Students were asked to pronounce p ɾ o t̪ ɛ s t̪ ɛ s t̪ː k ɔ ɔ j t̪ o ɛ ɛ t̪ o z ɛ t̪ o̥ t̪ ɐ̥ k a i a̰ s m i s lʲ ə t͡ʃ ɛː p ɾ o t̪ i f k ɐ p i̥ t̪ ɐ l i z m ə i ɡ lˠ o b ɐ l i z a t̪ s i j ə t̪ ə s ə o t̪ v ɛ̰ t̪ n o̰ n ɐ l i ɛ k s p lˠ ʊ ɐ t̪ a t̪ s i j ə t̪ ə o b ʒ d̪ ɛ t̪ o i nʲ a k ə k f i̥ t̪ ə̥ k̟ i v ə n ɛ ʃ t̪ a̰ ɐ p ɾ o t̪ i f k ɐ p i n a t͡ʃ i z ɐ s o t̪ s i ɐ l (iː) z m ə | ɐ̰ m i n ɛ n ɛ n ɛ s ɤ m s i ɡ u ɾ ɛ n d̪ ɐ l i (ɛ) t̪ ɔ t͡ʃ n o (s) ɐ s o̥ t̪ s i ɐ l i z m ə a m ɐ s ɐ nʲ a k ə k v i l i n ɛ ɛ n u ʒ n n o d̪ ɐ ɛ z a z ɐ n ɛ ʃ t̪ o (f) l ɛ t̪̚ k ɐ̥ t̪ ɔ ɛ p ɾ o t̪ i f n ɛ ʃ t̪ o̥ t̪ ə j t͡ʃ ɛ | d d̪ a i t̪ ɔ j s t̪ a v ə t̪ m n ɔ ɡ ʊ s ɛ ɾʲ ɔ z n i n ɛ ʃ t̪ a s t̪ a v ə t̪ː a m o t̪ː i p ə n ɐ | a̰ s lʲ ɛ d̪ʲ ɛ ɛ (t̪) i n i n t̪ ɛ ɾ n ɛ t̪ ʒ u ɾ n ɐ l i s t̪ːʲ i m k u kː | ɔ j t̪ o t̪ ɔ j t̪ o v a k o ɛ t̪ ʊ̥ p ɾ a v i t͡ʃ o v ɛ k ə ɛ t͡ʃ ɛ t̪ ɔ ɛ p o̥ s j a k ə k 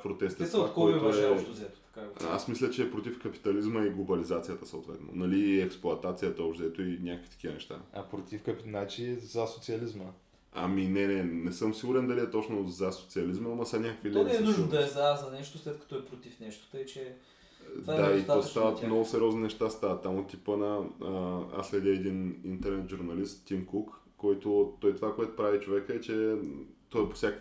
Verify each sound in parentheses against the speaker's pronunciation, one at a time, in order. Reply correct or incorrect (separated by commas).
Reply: incorrect, correct, incorrect, incorrect, incorrect